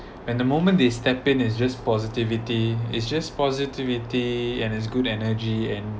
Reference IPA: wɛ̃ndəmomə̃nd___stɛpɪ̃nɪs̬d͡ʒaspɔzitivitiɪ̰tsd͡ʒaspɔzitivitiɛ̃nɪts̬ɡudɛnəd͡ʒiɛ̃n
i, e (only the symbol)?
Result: e